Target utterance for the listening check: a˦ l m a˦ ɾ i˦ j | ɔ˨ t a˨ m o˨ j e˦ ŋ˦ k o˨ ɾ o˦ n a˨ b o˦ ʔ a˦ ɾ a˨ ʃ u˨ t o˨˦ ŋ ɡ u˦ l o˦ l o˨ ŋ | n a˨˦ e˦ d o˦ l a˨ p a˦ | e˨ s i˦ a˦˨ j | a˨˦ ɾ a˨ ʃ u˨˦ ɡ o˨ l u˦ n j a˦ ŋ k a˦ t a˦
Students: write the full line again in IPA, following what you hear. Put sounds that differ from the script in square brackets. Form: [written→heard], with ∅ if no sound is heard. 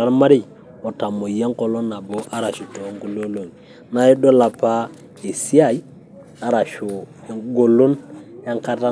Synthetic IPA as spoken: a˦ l m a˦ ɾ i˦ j | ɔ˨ t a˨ m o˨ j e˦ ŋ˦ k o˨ [ɾ→l] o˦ n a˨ b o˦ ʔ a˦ ɾ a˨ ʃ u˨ t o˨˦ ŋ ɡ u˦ l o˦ l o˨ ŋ | n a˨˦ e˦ d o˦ l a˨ p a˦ | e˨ s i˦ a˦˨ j | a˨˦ ɾ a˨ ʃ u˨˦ ɡ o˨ l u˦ n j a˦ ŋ k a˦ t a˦